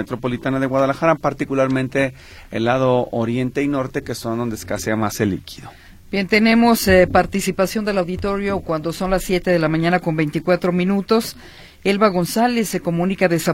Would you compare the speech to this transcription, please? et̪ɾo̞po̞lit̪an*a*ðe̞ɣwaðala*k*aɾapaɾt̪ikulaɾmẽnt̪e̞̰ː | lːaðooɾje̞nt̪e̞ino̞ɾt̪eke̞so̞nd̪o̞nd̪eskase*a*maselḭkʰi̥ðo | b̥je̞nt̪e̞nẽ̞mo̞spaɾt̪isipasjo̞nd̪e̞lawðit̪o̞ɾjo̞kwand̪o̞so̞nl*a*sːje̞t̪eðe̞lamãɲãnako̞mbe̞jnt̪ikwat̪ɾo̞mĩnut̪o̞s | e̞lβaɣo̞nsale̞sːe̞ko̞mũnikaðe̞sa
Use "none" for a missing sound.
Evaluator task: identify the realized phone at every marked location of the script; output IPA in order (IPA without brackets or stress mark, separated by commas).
a, x, a, a